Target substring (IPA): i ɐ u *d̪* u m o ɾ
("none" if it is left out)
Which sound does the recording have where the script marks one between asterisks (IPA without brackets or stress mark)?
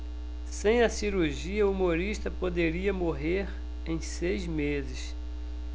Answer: none